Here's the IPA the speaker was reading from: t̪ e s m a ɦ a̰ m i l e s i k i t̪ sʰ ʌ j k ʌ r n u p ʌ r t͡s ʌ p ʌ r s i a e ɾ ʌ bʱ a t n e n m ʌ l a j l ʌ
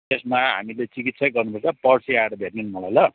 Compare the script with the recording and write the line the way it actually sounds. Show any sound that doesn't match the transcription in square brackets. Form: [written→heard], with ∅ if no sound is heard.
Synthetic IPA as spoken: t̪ e s m a ɦ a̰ m i l e [s→t͡s] i k i t̪ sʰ ʌ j [k→ɡ] ʌ r n u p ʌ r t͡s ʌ p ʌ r s i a e ɾ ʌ bʱ [a→e] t n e n m ʌ l a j l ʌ